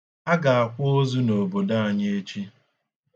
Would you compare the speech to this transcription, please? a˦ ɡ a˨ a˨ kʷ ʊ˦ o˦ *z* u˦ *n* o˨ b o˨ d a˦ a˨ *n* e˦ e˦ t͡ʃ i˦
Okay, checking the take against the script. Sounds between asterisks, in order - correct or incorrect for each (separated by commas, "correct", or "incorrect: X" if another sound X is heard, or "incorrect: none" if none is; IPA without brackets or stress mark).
correct, correct, incorrect: ɲ